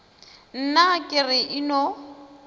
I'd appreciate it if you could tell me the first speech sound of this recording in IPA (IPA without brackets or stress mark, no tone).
n̩